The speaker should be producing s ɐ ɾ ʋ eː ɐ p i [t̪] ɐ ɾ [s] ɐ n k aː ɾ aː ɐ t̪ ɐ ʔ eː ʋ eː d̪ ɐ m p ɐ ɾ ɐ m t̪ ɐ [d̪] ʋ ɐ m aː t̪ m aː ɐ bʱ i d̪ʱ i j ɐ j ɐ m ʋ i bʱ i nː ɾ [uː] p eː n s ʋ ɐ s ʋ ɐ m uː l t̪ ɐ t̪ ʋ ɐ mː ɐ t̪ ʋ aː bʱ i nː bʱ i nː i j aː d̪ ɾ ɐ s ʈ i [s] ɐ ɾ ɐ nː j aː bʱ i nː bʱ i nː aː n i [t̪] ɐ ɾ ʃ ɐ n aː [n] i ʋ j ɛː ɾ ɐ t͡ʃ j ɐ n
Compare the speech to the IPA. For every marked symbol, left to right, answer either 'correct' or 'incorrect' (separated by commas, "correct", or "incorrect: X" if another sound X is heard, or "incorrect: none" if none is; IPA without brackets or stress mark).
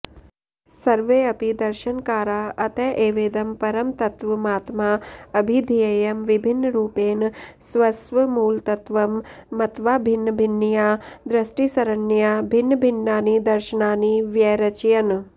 incorrect: d̪, incorrect: ʃ, incorrect: t̪, correct, correct, incorrect: d̪, correct